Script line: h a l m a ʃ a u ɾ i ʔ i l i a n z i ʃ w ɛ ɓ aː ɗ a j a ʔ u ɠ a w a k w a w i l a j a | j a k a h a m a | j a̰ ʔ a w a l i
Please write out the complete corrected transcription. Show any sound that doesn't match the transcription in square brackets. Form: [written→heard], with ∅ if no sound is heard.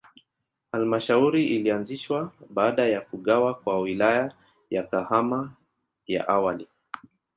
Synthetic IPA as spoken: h a l m a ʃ a u ɾ i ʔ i l i a n z i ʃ w [ɛ→a] ɓ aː ɗ a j a [ʔ→k] u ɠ a w a k w a w i l a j a | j a k a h a m a | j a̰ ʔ a w a l i